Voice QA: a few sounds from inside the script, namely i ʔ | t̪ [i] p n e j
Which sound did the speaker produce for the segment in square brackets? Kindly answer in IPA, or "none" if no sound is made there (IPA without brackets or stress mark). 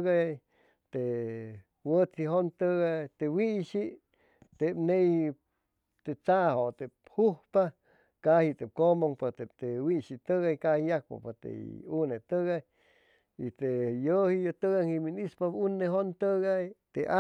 e